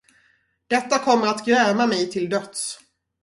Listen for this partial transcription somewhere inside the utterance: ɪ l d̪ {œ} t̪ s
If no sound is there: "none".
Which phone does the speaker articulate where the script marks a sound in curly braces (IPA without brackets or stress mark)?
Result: œ